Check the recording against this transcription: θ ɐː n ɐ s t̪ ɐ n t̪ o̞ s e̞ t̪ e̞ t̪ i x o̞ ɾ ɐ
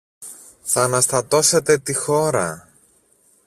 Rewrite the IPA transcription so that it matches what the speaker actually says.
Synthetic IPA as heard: θ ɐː n ɐ s t̪ ɐ t̪ o̞ s e̞ t̪ e̞ t̪ i x o̞ ɾ ɐ